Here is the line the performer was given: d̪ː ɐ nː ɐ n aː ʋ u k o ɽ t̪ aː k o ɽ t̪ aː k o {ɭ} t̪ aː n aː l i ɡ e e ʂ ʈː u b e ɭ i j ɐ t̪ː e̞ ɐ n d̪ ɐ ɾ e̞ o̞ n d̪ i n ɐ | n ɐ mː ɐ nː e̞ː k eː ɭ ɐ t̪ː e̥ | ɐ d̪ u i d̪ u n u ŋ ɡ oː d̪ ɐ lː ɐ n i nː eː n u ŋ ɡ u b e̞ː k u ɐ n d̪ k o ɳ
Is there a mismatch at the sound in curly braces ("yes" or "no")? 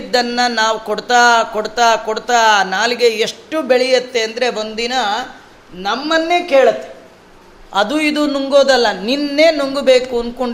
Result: yes